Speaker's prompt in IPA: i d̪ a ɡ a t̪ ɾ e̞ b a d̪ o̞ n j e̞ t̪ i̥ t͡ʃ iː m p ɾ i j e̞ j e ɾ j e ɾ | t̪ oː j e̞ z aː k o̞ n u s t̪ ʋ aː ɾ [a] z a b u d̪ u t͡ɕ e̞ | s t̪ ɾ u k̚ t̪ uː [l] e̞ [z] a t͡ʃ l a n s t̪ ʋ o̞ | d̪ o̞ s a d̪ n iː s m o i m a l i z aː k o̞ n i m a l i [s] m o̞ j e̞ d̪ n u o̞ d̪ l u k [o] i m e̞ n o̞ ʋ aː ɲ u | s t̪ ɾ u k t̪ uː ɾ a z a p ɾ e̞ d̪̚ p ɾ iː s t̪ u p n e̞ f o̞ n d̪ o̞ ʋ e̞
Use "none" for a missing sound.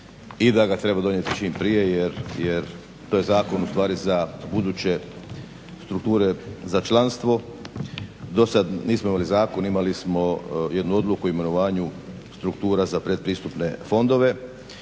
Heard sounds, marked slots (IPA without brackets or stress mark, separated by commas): i, ɾ, z, s, u